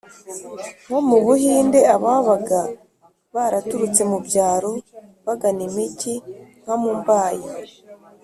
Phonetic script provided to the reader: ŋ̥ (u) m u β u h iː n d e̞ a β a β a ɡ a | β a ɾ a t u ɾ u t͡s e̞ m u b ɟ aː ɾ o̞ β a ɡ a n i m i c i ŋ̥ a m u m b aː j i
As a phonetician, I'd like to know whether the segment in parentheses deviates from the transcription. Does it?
yes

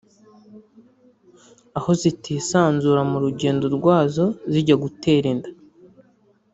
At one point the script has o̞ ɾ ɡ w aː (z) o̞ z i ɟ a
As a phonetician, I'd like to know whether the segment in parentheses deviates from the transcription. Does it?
no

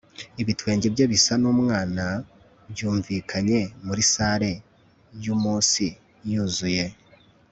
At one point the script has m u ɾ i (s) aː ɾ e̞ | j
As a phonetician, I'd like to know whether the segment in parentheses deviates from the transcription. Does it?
no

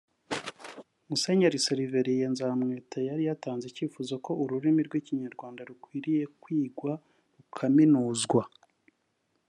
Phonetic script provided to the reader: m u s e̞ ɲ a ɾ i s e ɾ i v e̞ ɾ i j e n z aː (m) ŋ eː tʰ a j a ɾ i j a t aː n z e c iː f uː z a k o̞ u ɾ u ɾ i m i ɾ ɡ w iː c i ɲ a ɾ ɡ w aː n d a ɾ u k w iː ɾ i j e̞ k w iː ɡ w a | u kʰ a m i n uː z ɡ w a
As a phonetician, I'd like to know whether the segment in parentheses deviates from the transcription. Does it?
no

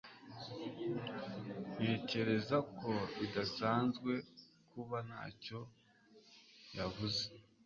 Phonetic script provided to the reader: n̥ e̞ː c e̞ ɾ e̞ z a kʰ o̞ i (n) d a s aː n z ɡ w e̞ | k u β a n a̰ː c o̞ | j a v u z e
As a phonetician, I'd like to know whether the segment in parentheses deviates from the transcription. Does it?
yes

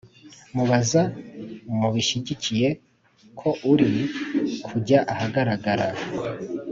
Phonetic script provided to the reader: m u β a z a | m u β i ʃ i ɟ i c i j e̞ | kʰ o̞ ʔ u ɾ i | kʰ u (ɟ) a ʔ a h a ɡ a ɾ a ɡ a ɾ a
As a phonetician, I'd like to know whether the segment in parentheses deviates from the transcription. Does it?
no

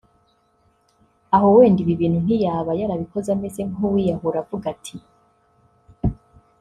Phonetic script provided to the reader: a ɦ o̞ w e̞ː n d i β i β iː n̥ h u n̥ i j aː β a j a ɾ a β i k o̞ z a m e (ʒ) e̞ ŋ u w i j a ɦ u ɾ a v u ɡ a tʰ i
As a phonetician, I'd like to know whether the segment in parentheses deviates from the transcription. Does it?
yes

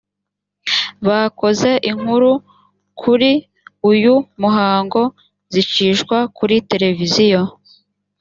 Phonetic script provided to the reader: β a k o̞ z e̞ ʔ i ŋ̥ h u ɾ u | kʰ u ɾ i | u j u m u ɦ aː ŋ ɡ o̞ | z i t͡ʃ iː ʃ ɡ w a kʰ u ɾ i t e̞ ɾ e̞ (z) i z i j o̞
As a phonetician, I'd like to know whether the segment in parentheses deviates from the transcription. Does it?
yes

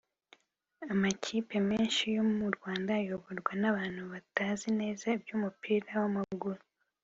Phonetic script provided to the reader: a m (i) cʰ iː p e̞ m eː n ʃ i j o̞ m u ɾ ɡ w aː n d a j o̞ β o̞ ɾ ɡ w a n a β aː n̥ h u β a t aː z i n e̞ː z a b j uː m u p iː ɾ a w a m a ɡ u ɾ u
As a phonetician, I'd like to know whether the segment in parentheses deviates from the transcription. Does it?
yes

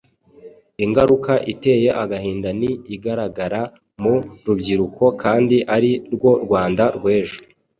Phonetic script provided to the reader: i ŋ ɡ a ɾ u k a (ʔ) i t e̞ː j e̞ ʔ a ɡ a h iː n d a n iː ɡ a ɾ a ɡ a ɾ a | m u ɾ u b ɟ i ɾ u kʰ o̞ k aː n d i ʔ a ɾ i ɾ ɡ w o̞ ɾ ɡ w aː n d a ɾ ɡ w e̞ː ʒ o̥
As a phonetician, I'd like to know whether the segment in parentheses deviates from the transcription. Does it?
no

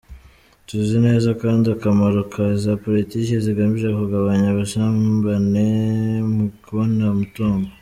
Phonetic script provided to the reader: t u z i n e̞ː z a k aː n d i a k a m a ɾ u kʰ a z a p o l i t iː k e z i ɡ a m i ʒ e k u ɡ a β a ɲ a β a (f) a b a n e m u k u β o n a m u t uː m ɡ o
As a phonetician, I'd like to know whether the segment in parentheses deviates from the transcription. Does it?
yes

